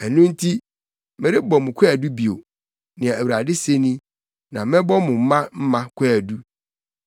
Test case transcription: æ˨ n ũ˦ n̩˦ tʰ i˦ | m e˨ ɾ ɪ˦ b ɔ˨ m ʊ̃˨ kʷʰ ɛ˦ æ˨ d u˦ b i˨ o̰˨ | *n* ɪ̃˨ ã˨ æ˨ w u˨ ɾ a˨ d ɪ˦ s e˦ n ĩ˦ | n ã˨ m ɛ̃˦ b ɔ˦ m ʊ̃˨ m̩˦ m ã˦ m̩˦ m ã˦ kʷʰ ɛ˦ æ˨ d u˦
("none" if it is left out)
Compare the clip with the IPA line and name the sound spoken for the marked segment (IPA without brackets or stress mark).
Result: n